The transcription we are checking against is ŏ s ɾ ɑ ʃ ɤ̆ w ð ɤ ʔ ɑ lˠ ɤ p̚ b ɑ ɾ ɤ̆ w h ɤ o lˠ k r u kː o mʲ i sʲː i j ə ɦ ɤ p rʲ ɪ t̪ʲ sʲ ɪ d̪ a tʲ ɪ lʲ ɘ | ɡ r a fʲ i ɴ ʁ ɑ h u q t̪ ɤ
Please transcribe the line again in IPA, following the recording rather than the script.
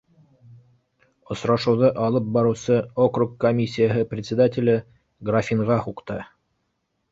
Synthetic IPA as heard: ŏ s ɾ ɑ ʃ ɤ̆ w ð ɤ ʔ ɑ lˠ ɤ p̚ b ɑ ɾ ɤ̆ w s ɤ o k r u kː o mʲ i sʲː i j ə ɦ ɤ p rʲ ɪ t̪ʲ sʲ ɪ d̪ a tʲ ɪ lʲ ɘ | ɡ r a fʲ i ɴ ʁ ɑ h u q t̪ ɤ

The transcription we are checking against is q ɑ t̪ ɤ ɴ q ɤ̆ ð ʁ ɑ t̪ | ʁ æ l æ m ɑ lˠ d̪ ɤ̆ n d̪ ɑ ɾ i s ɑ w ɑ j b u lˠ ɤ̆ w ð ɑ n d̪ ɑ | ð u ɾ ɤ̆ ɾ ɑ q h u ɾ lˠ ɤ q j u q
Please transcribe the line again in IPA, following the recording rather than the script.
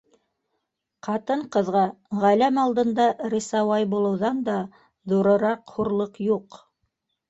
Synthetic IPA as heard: q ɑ t̪ ɤ ɴ q ɤ̆ ð ʁ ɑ | ʁ æ l æ m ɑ lˠ d̪ ɤ̆ n d̪ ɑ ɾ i s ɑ w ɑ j b u lˠ ɤ̆ w ð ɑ n d̪ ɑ | ð u ɾ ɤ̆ ɾ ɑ q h u ɾ lˠ ɤ q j u q

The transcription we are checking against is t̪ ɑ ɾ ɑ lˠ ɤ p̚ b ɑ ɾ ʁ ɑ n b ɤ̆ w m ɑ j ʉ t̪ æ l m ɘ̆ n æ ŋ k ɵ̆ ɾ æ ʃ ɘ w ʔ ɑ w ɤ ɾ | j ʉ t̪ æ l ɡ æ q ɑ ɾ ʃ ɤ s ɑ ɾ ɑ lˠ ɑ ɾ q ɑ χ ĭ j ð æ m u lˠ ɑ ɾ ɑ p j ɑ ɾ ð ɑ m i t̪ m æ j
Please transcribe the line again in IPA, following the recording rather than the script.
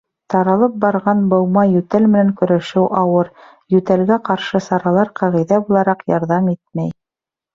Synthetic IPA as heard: t̪ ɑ ɾ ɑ lˠ ɤ p̚ b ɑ ɾ ʁ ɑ n b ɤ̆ w m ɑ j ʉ t̪ æ l m ɘ̆ n æ ŋ k ɵ̆ ɾ æ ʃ ɘ w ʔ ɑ w ɤ ɾ | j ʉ t̪ æ l ɡ æ q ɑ ɾ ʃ ɤ s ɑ ɾ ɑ lˠ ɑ ɾ q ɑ ʁ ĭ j ð æ b u lˠ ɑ ɾ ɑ q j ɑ ɾ ð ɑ m i t̪ m æ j

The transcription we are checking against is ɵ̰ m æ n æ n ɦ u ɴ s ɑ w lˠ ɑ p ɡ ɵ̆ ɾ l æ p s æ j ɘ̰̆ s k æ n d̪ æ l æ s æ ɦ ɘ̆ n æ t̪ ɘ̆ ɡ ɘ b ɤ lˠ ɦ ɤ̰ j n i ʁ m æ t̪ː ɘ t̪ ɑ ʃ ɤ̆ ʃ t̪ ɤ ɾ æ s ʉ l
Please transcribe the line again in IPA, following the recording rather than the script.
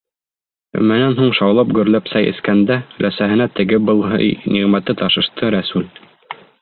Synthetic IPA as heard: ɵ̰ m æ n æ n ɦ u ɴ ʃ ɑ w lˠ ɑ p ɡ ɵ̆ ɾ l æ p s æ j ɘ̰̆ s k æ n d̪ æ l æ s æ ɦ ɘ̆ n æ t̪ ɘ̆ ɡ ɘ b ɤ lˠ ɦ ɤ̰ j n i ʁ m æ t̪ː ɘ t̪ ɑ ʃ ɤ̆ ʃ t̪ ɤ ɾ æ s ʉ l

